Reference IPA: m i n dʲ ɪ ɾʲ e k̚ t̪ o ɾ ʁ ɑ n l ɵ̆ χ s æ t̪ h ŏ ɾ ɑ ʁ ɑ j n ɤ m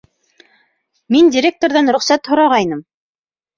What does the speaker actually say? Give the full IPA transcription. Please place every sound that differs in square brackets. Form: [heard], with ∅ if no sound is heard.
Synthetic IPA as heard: m i n dʲ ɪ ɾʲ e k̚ t̪ o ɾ [ð] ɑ n [ɾ] ɵ̆ χ s æ t̪ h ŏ ɾ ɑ ʁ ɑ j n ɤ m